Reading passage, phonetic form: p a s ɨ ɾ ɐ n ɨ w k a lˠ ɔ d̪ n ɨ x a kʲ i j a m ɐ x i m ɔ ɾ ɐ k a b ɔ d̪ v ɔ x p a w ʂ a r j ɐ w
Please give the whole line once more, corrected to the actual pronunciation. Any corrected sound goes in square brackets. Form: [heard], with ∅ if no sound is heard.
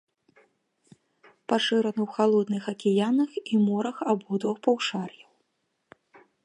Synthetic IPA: p a [ʂ] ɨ ɾ ɐ n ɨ w [x] a lˠ ɔ d̪ n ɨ x [ɐ] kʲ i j a [n] ɐ x i m ɔ ɾ ɐ [x] a b ɔ d̪ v ɔ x p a w ʂ a r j ɐ w